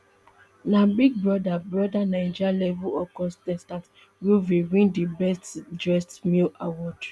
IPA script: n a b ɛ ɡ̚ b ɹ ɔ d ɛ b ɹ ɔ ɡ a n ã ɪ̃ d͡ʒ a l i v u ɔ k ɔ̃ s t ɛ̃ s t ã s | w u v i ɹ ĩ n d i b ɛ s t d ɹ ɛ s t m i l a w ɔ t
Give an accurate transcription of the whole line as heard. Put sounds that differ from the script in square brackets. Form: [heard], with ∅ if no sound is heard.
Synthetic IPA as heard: n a b [i] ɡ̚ b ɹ ɔ d [a] b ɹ ɔ [d] a n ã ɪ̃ d͡ʒ a l [ɛ] v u ɔ k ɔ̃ s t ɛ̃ s t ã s | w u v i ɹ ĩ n d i b ɛ s t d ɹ ɛ s t m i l a w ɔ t

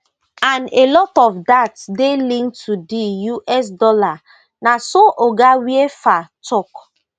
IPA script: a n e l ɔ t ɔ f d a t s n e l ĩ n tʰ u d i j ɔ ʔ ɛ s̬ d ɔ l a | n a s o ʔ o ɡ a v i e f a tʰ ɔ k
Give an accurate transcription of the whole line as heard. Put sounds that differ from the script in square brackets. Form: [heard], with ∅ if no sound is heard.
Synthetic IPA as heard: a n e l ɔ t ɔ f d a t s [d] e l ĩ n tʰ u d i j [u] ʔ ɛ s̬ d ɔ l a | n a s o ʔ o ɡ a [w] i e f a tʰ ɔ k

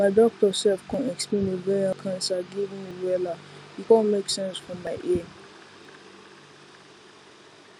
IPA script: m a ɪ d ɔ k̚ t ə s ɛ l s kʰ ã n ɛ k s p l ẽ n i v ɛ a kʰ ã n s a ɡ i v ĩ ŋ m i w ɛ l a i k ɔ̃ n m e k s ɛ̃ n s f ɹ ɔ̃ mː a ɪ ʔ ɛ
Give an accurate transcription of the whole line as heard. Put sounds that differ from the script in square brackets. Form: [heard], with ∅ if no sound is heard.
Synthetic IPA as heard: m a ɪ d ɔ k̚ t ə s ɛ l [f] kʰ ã n ɛ k s p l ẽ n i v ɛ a kʰ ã n s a ɡ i v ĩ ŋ m i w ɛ l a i k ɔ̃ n m e k s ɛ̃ n s f ɹ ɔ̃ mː a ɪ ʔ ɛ

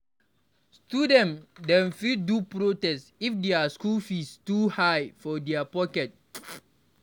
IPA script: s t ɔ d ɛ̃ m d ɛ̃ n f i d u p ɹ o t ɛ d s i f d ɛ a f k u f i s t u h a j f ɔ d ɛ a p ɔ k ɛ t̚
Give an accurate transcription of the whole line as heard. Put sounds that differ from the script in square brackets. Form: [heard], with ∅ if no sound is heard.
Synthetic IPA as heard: s t [u] d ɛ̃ [n] d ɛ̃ n f i d u p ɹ o t ɛ [∅] s i f d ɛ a [s] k u f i s t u h a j f ɔ d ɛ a p ɔ k ɛ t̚

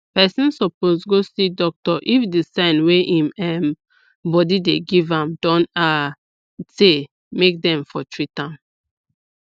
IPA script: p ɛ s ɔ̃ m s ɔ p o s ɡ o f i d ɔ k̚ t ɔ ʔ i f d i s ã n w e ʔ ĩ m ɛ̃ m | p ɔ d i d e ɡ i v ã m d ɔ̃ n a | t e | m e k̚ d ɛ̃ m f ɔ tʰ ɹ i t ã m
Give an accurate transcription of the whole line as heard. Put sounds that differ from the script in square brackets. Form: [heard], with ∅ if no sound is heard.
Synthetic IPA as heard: p ɛ s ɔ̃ [n] s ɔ p o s ɡ o [s] i d ɔ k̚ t ɔ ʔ i f d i s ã n w e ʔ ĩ m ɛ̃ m | [b] ɔ d i d e ɡ i v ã m d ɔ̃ n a | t e | m e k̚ d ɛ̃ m f ɔ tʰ ɹ i t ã m

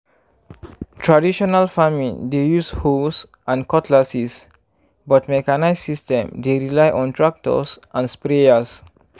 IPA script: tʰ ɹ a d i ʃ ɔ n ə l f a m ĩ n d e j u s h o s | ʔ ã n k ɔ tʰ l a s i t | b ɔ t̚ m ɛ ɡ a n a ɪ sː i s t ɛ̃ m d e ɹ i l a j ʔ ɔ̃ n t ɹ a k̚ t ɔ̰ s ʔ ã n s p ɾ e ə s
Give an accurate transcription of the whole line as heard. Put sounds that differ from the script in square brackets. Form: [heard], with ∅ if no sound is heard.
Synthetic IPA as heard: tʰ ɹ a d i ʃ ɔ n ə l f a m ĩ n d e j u s h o s | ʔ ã n k ɔ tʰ l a s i [s] | b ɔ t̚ m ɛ [k] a n a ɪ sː i s t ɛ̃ m d e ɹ i l a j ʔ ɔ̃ n t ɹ a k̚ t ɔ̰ s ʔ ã n s p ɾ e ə s

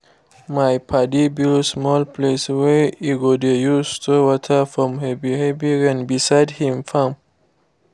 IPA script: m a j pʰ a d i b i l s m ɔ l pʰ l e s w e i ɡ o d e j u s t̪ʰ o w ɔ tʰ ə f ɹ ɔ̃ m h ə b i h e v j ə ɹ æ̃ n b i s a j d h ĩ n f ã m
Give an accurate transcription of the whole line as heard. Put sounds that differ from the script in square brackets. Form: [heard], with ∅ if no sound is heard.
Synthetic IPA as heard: m a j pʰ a d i b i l s m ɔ l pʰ l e s w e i ɡ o d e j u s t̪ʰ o w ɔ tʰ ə f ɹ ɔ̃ m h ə b i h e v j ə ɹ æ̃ n b i s a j d h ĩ [m] f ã m

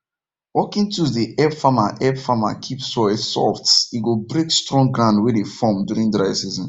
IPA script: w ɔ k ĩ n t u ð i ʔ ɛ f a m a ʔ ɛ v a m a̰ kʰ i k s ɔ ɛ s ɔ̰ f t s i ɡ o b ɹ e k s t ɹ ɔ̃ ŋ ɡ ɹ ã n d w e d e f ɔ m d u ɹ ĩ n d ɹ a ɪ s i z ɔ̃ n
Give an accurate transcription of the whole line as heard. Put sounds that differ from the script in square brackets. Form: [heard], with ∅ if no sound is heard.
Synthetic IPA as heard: w ɔ k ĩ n t u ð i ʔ ɛ f a m a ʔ ɛ [f] a m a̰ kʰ i [p] s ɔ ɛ s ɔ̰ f t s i ɡ o b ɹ e k s t ɹ ɔ̃ ŋ ɡ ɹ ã n d w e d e f ɔ m d u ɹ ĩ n d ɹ a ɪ s i z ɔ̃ n

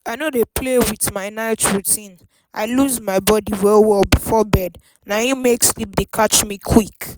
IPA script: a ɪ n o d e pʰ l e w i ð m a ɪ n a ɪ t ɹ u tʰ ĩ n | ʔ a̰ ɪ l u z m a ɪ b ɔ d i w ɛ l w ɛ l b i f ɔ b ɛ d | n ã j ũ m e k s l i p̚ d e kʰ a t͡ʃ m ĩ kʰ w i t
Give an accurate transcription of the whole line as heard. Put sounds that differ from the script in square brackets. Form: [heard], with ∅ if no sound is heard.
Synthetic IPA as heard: a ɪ n o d e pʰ l e w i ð m a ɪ n a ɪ t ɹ u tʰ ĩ n | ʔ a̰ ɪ l u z m a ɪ b ɔ d i w ɛ l w ɛ l b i f ɔ b ɛ d | n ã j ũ m e k s l i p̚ d e kʰ a t͡ʃ m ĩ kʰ w i [k]

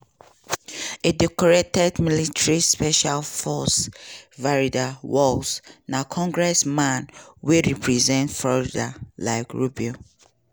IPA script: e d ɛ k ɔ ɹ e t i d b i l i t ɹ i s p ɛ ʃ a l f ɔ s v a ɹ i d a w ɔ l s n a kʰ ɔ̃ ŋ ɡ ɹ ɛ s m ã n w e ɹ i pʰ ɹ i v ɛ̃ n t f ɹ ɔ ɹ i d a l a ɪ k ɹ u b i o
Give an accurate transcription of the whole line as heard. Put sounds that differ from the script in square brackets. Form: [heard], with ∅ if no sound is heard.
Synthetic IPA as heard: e d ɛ k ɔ ɹ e t [ɛ] d [m] i l i t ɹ i s p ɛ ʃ a l f ɔ s v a ɹ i d a w ɔ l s n a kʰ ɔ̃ ŋ ɡ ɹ ɛ s m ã n w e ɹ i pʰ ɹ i [z] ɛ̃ n t f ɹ ɔ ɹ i d a l a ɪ k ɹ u b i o

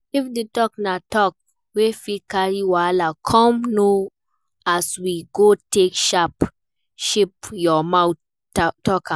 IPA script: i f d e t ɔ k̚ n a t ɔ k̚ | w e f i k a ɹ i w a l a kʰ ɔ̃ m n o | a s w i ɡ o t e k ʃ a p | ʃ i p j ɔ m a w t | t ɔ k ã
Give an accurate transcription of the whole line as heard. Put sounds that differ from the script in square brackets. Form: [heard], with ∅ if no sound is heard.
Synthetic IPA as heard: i f d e t ɔ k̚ n a t ɔ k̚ | w e f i k a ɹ i w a l a kʰ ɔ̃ m n o | a s w i ɡ o t e k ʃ a p | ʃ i p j ɔ m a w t | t ɔ k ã

